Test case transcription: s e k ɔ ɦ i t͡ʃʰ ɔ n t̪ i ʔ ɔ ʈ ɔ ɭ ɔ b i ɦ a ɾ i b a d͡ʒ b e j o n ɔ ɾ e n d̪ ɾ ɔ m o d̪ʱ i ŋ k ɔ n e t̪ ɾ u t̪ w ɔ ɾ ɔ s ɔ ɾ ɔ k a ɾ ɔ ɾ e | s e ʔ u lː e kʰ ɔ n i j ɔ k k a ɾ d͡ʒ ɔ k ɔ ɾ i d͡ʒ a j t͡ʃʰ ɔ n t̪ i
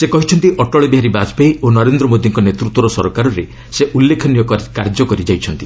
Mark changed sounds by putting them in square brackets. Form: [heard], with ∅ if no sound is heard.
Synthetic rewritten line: s e k ɔ ɦ i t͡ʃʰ ɔ n t̪ i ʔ ɔ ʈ ɔ ɭ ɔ b i ɦ a ɾ i b a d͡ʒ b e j o n ɔ ɾ e n d̪ ɾ ɔ m o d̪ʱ i ŋ k ɔ n e t̪ ɾ u t̪ w ɔ ɾ ɔ s ɔ ɾ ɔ k a ɾ ɔ ɾ e | s e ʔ u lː e kʰ ɔ n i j ɔ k k a ɾ d͡ʒ ɔ k ɔ ɾ i d͡ʒ a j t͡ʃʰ ɔ n t̪ i